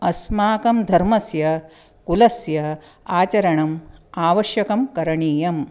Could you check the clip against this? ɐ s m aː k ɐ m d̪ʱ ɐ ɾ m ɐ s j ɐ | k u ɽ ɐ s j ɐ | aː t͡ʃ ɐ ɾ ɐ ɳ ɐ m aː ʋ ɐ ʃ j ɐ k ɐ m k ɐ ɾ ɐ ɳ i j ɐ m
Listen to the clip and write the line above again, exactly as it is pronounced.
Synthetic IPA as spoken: ɐ s m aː k ɐ m d̪ʱ ɐ ɾ m ɐ s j ɐ | k u l ɐ s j ɐ | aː t͡ʃ ɐ ɾ ɐ ɳ ɐ m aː ʋ ɐ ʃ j ɐ k ɐ m k ɐ ɾ ɐ ɳ iː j ɐ m